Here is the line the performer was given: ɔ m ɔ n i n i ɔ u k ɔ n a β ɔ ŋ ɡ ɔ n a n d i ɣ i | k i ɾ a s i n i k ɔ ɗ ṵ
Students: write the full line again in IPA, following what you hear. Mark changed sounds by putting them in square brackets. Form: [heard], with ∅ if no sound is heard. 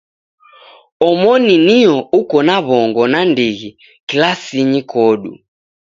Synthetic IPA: ɔ m ɔ n i n i ɔ u k ɔ n a β ɔ ŋ ɡ ɔ n a n d i ɣ i | k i [l] a s i [ɲ] i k ɔ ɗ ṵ